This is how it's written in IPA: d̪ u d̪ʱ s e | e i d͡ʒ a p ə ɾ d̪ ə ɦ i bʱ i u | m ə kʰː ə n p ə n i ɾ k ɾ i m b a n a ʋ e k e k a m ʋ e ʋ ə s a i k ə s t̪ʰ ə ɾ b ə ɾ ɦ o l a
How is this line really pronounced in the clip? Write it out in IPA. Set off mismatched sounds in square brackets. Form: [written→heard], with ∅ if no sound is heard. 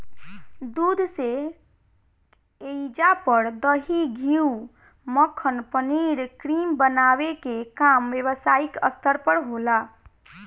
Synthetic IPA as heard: d̪ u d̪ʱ s e | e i d͡ʒ a p ə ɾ d̪ ə ɦ i [bʱ→ɡʱ] i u | m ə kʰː ə n p ə n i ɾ k ɾ i m b [a→ə] n a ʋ e k e k a m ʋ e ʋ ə s a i k ə s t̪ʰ ə ɾ [b→p] ə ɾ ɦ o l a